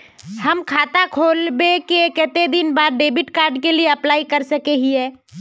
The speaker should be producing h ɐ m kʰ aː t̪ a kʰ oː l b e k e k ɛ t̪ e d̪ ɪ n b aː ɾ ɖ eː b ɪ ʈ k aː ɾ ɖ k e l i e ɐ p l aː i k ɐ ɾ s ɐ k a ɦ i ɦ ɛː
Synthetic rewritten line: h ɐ m kʰ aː t̪ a kʰ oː l b e k e k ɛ t̪ e d̪ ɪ n b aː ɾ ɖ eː b ɪ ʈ k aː ɾ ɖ k e l i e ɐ p l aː i k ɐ ɾ s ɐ k e ɦ i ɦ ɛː